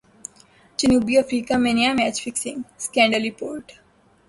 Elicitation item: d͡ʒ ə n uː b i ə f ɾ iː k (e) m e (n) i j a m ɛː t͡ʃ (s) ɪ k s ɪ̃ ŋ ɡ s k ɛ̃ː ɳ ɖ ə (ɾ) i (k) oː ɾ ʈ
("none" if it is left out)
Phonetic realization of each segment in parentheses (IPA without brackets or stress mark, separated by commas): a, n, f, l, p